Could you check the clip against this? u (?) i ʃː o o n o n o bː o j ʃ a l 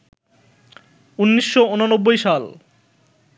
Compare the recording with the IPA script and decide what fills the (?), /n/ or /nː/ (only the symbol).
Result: nː